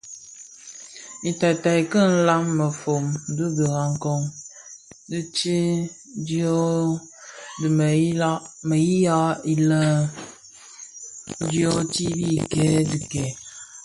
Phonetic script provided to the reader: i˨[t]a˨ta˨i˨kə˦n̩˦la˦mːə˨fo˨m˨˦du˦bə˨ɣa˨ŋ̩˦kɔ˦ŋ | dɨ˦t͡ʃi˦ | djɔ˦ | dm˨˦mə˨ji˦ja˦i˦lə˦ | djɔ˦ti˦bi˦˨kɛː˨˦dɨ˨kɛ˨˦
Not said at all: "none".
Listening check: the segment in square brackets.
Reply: t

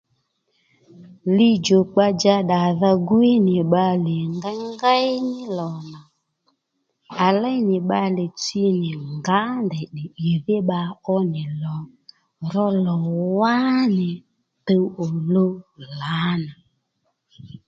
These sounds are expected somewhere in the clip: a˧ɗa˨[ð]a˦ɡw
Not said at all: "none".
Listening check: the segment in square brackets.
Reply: ð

